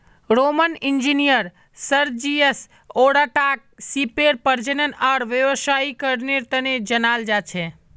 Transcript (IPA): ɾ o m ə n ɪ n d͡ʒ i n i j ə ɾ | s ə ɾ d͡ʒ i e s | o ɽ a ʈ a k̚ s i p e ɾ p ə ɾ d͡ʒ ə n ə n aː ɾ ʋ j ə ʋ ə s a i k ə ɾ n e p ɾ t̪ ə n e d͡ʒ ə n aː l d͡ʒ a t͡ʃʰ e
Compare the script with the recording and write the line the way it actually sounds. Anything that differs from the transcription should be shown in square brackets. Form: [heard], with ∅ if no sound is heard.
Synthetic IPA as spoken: ɾ o m ə n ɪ n d͡ʒ i n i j ə ɾ | s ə ɾ d͡ʒ i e s | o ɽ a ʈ a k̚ s i p e ɾ p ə ɾ d͡ʒ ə n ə n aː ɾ ʋ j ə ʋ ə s a i k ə ɾ n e [∅] ɾ t̪ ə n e d͡ʒ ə n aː l d͡ʒ a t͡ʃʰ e